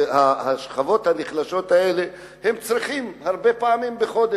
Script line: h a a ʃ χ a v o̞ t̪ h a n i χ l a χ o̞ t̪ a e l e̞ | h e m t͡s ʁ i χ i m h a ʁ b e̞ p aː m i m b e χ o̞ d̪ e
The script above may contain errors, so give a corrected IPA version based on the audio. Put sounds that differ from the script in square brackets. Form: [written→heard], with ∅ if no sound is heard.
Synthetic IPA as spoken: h a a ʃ χ a v o̞ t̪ h a n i χ l a [χ→ʃ] o̞ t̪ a e l e̞ | h e m t͡s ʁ i χ i m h a ʁ b e̞ p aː m i m b e χ o̞ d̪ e